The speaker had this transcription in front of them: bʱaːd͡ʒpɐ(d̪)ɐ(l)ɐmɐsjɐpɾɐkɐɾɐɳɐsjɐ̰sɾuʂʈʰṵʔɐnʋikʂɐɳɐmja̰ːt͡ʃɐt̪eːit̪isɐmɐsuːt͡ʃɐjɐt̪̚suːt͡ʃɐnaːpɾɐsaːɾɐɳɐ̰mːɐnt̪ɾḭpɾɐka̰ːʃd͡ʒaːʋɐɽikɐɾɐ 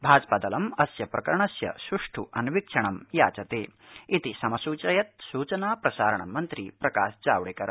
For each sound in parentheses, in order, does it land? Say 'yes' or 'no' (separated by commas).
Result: yes, yes